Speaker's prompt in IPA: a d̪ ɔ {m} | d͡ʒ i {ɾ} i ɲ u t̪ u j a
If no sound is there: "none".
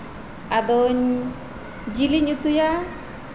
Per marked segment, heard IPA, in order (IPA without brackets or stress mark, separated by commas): ɲ, l